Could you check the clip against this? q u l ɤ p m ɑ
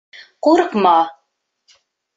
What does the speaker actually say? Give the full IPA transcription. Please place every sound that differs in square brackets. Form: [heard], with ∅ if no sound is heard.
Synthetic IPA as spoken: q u [ɾ] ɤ [q] m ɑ